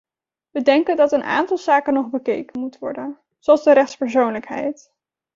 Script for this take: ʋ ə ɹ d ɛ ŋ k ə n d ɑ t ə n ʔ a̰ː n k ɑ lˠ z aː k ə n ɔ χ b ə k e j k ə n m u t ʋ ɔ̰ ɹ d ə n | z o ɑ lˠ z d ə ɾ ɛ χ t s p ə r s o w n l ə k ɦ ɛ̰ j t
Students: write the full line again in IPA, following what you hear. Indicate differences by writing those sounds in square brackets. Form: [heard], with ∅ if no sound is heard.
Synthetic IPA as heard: ʋ ə [∅] d ɛ ŋ k ə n d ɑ t ə n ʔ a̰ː n [t] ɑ lˠ z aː k ə n ɔ χ b ə k e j k ə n m u t ʋ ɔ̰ ɹ d ə n | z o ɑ lˠ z d ə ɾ ɛ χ t s p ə [ɹ] s o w n l ə k ɦ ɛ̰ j t